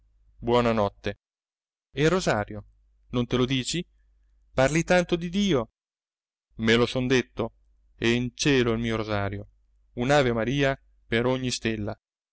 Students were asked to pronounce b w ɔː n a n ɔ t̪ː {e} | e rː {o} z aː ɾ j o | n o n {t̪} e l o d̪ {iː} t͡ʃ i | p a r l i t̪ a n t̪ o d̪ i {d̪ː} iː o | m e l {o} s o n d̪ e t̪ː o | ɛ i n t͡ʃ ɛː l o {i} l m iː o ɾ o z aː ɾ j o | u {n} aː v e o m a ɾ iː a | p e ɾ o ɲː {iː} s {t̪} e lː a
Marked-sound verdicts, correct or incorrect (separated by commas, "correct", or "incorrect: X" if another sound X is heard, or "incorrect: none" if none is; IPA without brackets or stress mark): correct, correct, correct, correct, incorrect: d̪, correct, correct, correct, incorrect: i, correct